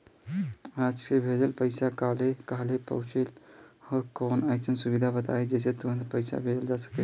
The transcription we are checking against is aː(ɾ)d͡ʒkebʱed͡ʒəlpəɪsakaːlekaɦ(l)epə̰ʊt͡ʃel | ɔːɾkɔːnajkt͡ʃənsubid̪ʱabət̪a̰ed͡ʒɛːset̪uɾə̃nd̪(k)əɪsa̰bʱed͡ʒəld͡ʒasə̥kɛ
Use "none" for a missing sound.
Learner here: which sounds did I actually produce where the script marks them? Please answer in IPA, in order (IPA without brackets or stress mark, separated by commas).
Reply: none, l, p